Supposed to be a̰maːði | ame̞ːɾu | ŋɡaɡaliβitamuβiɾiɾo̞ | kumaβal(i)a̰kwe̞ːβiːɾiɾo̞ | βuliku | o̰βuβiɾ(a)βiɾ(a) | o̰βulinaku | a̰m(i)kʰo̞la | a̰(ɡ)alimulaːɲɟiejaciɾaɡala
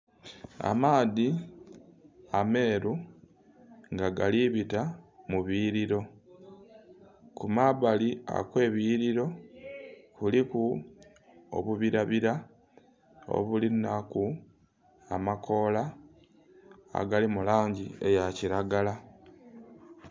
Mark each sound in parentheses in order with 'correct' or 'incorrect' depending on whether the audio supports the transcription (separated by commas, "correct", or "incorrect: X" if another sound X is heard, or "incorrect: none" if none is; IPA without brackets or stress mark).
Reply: correct, correct, correct, incorrect: a, correct